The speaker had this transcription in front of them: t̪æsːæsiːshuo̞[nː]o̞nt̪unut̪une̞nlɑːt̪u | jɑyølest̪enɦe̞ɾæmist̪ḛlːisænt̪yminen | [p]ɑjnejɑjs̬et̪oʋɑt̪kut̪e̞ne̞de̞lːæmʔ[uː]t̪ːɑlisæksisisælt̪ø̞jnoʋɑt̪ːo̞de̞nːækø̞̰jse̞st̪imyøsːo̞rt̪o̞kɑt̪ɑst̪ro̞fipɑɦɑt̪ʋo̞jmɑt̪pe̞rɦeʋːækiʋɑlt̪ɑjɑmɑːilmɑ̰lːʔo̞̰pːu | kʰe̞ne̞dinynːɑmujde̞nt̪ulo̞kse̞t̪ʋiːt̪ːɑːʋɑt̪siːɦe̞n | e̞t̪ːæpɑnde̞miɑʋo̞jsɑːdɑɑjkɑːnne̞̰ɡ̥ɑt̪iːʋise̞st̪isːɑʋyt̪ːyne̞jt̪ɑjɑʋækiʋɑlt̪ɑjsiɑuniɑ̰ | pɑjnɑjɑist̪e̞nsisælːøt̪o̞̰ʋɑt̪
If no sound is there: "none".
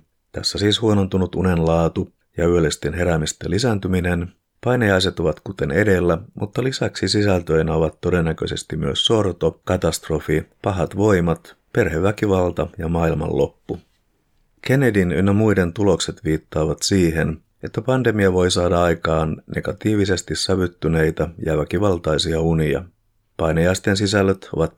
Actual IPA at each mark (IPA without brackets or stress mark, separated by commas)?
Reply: n, p, u